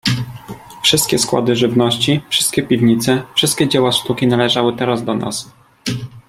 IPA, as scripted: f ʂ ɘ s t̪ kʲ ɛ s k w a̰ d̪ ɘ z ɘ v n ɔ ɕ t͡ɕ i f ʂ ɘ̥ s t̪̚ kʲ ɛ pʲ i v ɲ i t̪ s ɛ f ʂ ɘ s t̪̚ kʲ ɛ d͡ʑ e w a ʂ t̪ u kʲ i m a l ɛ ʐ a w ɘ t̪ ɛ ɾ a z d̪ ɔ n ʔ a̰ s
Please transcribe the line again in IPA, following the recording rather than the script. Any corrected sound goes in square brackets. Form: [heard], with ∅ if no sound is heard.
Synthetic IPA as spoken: f ʂ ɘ s t̪ kʲ ɛ s k w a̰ d̪ ɘ [ʐ] ɘ v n ɔ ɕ t͡ɕ i f ʂ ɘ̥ s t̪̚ kʲ ɛ pʲ i v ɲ i t̪ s ɛ f ʂ ɘ s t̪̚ kʲ ɛ d͡ʑ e w a ʂ t̪ u kʲ i [n] a l ɛ ʐ a w ɘ t̪ ɛ ɾ a z d̪ ɔ n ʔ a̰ s